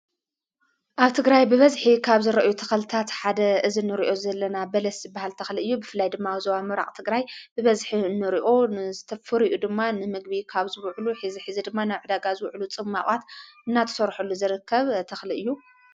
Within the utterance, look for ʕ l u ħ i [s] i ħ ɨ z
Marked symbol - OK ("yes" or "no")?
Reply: no